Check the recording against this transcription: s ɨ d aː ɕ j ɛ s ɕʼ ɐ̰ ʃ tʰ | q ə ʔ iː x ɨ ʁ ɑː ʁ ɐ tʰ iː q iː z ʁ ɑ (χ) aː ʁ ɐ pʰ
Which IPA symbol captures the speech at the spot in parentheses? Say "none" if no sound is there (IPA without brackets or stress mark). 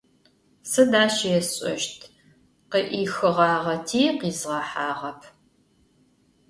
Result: ħ